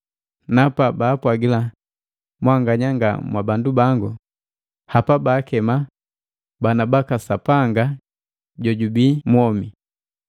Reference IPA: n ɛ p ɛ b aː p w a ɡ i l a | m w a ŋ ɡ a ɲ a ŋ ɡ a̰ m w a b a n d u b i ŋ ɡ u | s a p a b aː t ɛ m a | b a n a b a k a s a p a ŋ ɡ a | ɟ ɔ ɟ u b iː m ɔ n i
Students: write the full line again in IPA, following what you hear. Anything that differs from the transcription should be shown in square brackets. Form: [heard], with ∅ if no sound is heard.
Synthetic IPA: n [a] p [a] b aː p w a ɡ i l a | m w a ŋ ɡ a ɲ a ŋ ɡ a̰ m w a b a n d u b [a] ŋ ɡ u | [h] a p a b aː [k] ɛ m a | b a n a b a k a s a p a ŋ ɡ a | ɟ ɔ ɟ u b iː m ɔ [m] i